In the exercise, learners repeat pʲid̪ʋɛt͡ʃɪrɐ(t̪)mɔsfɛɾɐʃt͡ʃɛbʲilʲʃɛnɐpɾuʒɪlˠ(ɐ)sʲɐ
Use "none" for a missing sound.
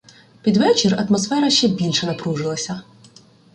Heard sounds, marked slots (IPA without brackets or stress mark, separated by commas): t̪, ɐ